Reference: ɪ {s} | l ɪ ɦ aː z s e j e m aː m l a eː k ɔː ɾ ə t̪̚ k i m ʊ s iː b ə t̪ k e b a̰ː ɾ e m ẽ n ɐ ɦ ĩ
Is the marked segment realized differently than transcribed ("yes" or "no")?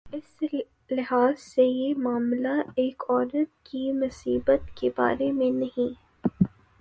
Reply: no